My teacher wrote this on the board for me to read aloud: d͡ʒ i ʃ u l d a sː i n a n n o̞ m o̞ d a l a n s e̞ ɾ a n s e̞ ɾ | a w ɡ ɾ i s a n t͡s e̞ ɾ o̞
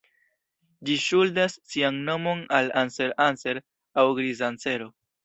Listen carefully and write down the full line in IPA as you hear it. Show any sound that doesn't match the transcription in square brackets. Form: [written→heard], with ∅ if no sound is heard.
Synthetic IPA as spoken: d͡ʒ i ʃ u l d a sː i [n→∅] a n n o̞ m o̞ [d→n] a l a n s e̞ ɾ a n s e̞ ɾ | a w ɡ ɾ i [s→z] a n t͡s e̞ ɾ o̞